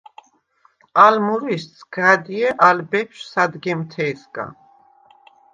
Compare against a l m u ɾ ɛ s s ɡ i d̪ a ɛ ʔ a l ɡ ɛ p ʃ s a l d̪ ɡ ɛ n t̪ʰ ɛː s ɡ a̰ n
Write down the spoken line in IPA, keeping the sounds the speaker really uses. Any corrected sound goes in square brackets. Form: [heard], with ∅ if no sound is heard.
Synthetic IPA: a l m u ɾ [i] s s ɡ [a] d̪ [i] ɛ ʔ a l [b] ɛ p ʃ s a [∅] d̪ ɡ ɛ [m] t̪ʰ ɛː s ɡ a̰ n